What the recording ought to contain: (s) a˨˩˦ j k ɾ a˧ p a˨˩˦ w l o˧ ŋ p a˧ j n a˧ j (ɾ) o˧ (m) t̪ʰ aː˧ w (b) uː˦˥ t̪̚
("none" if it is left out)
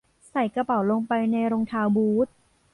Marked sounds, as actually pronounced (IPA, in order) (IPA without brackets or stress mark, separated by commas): s, ɾ, ŋ, b